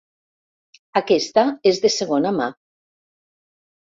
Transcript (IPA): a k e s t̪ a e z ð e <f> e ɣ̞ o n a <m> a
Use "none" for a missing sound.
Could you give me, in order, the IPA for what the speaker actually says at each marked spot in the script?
s, m

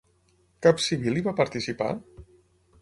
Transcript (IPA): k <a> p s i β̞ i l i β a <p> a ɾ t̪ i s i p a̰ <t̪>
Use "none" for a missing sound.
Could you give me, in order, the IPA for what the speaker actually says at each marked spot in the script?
a, p, none

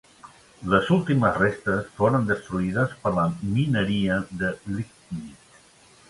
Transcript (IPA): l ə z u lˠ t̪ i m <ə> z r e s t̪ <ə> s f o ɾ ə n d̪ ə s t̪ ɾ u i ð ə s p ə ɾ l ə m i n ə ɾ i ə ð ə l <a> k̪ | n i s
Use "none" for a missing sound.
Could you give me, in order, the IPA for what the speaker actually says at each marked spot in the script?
ə, ə, i

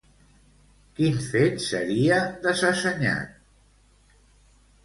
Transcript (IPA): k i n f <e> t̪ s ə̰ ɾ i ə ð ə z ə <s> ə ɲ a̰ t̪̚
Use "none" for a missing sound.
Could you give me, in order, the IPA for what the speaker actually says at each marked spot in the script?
e, s

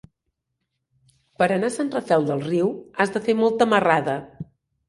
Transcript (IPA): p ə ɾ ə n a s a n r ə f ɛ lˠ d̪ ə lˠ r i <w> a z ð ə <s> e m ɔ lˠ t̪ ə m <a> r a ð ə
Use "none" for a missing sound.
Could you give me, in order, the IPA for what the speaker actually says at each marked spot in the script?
w, f, ə

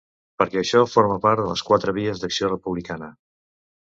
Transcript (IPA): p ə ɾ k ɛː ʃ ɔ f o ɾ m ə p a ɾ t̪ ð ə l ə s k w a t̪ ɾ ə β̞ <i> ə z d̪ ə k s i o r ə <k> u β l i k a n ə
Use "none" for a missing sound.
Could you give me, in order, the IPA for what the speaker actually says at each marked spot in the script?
i, p

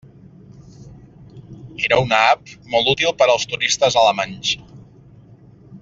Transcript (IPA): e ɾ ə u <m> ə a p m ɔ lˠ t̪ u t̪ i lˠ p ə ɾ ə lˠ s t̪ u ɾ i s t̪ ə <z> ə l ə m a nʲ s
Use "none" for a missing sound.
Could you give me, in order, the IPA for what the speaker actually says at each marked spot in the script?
n, z

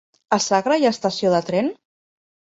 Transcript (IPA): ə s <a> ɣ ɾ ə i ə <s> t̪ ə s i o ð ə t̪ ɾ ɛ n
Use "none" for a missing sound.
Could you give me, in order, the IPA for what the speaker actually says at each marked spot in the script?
a, s

